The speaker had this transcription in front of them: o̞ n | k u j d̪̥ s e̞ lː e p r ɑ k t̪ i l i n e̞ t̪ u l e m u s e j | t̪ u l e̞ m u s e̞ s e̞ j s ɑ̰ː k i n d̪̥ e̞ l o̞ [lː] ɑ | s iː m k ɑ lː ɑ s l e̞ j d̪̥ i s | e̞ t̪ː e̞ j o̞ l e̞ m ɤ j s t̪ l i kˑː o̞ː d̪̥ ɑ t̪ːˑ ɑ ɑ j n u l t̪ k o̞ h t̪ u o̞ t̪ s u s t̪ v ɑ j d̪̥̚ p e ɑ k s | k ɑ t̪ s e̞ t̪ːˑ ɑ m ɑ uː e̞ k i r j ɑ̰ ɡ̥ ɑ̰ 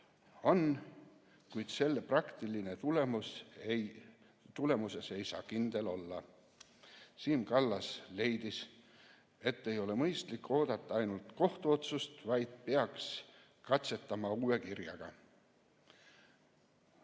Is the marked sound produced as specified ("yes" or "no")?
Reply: yes